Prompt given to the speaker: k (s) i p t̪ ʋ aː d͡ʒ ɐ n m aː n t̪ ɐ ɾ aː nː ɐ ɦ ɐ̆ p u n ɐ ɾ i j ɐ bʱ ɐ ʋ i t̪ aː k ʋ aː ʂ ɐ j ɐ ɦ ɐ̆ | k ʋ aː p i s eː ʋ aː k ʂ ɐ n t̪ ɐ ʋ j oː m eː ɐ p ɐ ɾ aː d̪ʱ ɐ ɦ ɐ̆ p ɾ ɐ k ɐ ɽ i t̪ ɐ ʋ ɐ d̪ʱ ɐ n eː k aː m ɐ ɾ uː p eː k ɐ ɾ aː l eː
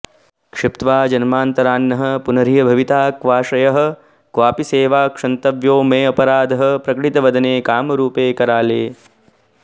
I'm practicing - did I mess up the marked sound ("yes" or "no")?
yes